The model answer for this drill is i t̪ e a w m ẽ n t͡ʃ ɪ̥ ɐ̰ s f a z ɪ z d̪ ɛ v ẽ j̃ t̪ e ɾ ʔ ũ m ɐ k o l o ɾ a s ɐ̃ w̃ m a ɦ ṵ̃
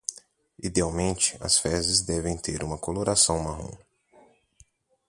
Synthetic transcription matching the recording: i d̪ e a w m ẽ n t͡ʃ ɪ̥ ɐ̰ s f ɛ z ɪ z d̪ ɛ v ẽ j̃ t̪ e ɾ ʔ ũ m ɐ k o l o ɾ a s ɐ̃ w̃ m a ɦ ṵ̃